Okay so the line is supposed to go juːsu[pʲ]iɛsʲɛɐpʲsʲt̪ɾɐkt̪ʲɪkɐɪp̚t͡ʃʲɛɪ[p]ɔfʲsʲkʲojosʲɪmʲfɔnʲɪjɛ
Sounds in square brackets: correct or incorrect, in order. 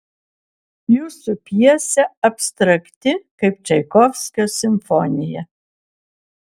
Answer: correct, incorrect: k

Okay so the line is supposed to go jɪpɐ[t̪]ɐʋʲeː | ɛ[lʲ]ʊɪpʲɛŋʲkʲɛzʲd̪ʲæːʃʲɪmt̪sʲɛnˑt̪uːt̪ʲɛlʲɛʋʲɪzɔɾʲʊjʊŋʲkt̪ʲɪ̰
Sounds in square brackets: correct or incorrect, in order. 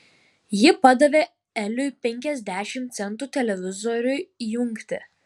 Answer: incorrect: d̪, correct

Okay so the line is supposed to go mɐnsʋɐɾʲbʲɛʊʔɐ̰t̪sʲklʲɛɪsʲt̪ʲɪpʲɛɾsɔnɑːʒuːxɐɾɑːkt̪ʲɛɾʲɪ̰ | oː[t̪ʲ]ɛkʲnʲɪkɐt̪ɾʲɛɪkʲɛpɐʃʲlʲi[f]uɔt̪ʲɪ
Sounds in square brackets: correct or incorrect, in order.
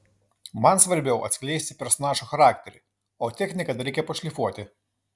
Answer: correct, correct

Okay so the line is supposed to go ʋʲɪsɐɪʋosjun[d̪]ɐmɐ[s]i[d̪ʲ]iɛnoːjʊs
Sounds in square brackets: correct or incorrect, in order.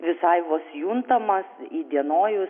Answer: incorrect: t̪, correct, correct

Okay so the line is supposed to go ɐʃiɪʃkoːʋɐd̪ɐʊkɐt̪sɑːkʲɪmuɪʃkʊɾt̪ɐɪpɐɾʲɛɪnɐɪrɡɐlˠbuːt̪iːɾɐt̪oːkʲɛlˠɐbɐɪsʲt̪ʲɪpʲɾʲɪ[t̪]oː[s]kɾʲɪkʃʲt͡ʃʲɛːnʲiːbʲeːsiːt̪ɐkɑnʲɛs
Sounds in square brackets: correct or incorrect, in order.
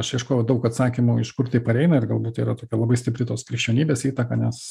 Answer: correct, correct

